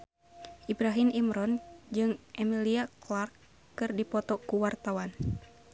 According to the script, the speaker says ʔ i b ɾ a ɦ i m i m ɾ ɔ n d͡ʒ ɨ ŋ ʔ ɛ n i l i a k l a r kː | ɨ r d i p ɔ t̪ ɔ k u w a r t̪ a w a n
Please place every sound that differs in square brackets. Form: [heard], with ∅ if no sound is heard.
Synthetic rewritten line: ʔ i b ɾ a ɦ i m i m ɾ ɔ n d͡ʒ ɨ ŋ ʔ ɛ [m] i l i a k l a r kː | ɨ r d i p ɔ t̪ ɔ k u w a r t̪ a w a n